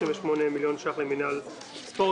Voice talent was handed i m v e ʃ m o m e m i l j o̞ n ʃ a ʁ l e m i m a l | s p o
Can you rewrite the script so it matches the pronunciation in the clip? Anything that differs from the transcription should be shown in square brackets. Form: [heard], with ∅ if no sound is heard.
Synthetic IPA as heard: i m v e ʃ m o [n] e m i l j o̞ n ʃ a [χ] l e m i [n] a l | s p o